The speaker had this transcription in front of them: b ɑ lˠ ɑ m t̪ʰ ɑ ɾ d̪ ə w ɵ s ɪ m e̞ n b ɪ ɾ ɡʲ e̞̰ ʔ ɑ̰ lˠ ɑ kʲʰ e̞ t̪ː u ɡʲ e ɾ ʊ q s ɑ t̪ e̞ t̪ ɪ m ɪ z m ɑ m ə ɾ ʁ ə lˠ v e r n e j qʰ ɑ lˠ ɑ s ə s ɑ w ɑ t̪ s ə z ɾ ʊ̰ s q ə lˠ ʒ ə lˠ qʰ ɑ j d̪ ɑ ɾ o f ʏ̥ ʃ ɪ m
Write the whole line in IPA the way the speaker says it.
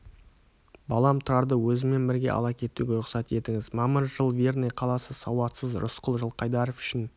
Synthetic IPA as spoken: b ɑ lˠ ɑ m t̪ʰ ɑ ɾ d̪ ə w ɵ z ɪ m e̞ n b ɪ ɾ ɡʲ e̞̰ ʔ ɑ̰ lˠ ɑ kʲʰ e̞ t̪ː u ɡʲ e ɾ ʊ q s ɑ t̪ e̞ t̪ ɪ ŋ ɪ z m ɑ m ə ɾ ʒ ə lˠ v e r n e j qʰ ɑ lˠ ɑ s ə s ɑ w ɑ t̪ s ə z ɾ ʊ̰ s q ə lˠ ʒ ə lˠ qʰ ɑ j d̪ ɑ ɾ o f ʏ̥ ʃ ɪ n